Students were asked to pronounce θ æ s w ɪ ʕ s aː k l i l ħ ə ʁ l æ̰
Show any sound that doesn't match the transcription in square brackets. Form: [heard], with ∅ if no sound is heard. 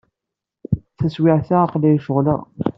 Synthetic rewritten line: θ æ s w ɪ ʕ [θ] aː [q] l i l [ʃ] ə ʁ l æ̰